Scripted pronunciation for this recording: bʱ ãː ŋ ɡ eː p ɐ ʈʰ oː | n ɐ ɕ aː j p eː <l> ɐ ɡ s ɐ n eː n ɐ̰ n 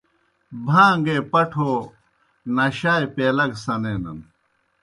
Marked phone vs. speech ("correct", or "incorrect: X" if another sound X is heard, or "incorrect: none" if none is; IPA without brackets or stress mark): correct